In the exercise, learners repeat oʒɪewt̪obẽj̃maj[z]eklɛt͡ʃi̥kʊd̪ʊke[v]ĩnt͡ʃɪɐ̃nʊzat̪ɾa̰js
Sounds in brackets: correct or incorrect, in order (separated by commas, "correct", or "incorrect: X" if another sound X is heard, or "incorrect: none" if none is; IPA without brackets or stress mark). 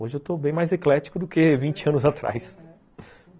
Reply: correct, correct